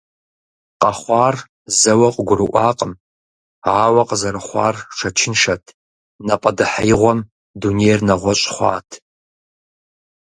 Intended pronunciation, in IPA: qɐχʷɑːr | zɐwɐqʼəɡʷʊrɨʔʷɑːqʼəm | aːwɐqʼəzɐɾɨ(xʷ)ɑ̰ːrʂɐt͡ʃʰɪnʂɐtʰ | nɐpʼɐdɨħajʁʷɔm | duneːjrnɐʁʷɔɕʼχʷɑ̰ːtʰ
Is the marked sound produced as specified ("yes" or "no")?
no